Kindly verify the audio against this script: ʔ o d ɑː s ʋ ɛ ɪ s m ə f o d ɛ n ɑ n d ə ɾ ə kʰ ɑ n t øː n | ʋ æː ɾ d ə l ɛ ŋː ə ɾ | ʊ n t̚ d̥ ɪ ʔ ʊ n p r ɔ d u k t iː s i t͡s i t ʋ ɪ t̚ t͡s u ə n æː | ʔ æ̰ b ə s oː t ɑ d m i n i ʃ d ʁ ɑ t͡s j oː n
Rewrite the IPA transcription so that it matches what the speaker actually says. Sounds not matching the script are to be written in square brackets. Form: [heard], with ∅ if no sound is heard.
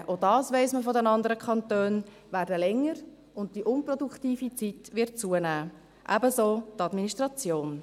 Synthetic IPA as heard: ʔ o d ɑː s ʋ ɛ ɪ s m ə f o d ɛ n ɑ n d ə ɾ ə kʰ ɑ n t øː n | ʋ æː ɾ d ə l ɛ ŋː ə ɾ | ʊ n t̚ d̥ [i] ʔ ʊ n p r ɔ d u k t iː [f] i t͡s i t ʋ ɪ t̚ t͡s u ə n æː | ʔ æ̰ b ə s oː t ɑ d m i n i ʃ [t] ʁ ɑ t͡s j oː n